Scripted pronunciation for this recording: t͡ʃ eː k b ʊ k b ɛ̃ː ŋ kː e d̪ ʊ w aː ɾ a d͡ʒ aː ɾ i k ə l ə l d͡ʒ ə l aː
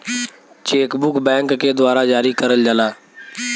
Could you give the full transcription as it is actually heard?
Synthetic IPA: t͡ʃ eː k b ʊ k b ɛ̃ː ŋ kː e d̪ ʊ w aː ɾ a d͡ʒ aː ɾ i k ə ɾ ə l d͡ʒ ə l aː